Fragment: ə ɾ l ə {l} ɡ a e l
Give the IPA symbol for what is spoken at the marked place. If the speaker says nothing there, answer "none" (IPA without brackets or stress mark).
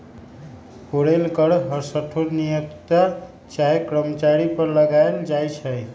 none